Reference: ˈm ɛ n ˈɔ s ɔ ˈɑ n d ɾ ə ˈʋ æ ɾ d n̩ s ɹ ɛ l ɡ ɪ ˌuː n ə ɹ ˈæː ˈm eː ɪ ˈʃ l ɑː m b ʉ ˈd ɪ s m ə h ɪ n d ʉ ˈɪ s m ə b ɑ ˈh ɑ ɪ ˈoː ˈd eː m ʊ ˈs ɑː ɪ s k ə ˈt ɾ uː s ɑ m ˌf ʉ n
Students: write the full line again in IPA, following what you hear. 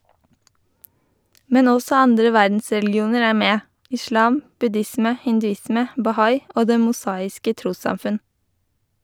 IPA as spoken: ˈm ɛ n ˈɔ s ɔ ˈɑ n d ɾ ə ˈʋ æ ɾ d n̩ s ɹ ɛ l ɡ ɪ ˌuː n ə ɹ ˈæː ˈm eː ɪ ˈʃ l ɑː m b ʉ ˈd ɪ s m ə h ɪ n d ʉ ˈɪ s m ə b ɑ ˈh ɑ ɪ ˈoː ˈd eː m ʊ ˈs ɑː ɪ s k ə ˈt ɾ uː s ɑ m ˌf ʉ n